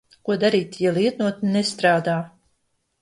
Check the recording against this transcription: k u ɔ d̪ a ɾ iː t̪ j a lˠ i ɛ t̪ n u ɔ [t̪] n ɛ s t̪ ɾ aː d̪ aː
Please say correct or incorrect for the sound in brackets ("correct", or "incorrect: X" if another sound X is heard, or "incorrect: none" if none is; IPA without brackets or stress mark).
correct